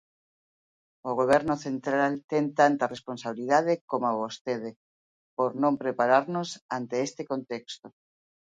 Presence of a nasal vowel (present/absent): present